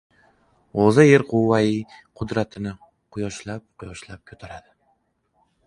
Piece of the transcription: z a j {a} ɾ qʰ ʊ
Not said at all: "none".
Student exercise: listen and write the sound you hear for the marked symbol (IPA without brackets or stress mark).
e